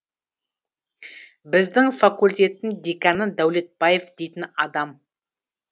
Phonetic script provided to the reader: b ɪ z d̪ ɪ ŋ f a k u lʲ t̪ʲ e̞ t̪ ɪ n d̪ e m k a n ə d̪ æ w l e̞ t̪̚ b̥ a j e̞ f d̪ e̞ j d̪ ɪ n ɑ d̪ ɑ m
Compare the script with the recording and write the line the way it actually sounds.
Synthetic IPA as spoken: b ɪ z d̪ ɪ ŋ f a k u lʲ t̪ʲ e̞ t̪ ɪ n d̪ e k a n ə d̪ æ w l e̞ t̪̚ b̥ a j e̞ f d̪ e̞ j t̪ ɪ n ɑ d̪ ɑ m